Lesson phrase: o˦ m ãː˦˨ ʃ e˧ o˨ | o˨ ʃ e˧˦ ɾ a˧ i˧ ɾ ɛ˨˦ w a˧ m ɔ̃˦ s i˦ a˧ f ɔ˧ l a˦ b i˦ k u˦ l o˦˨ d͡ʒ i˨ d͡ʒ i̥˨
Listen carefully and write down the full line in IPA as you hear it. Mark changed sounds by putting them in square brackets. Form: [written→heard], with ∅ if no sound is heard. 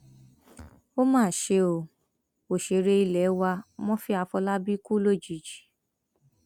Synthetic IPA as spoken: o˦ m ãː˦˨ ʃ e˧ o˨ | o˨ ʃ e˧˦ ɾ [a˧→e˧] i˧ [ɾ→l] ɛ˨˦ w a˧ m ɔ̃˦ [s→f] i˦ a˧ f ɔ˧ l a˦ b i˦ k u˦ l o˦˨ d͡ʒ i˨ d͡ʒ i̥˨